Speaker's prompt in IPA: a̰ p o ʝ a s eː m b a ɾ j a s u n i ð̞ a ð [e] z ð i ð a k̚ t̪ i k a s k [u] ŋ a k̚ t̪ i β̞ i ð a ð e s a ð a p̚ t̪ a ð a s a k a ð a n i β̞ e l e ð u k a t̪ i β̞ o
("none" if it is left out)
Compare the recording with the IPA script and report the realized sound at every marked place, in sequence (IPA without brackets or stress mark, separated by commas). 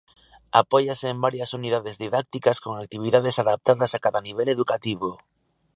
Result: e, o